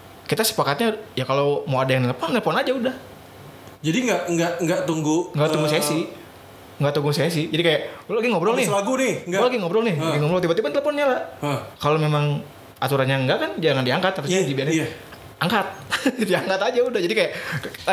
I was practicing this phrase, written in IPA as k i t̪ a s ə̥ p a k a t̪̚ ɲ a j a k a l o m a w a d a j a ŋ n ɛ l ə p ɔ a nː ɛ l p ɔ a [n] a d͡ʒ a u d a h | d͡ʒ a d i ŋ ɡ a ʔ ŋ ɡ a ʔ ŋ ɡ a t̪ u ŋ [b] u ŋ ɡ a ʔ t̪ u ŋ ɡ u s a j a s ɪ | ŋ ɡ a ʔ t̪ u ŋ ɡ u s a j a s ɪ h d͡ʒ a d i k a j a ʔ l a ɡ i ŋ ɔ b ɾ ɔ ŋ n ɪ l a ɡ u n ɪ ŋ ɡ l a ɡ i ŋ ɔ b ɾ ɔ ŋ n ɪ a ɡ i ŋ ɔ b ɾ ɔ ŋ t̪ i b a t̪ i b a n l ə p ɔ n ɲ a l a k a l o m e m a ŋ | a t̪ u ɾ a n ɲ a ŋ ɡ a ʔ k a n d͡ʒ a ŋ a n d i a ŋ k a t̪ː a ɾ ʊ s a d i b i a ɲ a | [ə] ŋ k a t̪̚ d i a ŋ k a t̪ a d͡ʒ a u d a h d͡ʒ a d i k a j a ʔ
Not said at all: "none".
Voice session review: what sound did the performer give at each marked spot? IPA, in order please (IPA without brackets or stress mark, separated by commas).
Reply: n, ɡ, a